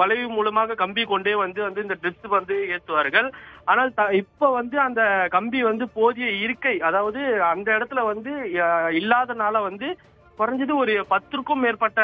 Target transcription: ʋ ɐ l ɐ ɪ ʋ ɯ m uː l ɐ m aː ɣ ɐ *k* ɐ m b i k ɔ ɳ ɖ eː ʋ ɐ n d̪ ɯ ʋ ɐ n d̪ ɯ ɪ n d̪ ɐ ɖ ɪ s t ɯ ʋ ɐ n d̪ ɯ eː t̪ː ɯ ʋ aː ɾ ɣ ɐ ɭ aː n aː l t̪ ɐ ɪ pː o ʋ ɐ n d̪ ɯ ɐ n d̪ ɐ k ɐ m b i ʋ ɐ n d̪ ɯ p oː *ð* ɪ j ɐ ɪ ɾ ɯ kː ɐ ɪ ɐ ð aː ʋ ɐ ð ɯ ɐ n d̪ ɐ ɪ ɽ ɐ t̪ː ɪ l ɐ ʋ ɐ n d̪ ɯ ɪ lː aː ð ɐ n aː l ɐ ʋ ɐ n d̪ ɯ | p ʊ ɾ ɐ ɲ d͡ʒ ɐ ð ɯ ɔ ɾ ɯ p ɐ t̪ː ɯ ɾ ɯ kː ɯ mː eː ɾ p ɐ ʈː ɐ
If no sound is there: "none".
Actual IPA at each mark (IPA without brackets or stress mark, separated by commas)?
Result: k, ð